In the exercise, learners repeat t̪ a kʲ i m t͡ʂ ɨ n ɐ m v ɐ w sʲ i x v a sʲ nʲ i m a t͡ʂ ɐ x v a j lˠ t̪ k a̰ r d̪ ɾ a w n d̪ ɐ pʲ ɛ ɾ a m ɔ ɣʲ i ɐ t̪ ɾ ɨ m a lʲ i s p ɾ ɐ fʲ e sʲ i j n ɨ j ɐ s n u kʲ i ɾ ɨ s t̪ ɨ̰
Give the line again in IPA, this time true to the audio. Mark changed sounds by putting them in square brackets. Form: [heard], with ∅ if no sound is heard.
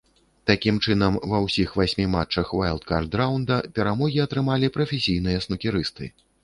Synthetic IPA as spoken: t̪ a kʲ i m t͡ʂ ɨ n ɐ m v ɐ w sʲ i x v a sʲ [mʲ] i m a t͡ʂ ɐ x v a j lˠ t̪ k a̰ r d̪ ɾ a w n d̪ ɐ pʲ ɛ ɾ a m ɔ ɣʲ i ɐ t̪ ɾ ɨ m a lʲ i [∅] p ɾ ɐ fʲ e sʲ i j n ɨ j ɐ s n u kʲ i ɾ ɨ s t̪ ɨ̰